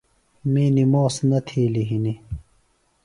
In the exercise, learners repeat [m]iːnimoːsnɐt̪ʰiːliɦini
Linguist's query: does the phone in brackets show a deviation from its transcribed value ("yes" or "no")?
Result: no